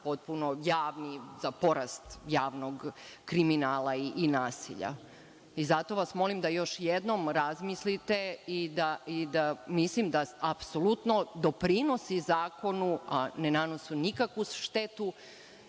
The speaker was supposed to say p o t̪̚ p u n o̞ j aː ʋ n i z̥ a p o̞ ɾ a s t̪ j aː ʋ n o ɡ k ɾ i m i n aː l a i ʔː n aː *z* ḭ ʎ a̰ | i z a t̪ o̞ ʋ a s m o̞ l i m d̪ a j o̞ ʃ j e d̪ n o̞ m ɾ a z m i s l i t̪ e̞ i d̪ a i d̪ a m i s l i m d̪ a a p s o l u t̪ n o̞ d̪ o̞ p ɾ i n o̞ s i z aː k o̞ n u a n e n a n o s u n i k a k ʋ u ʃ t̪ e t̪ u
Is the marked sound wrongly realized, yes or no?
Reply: yes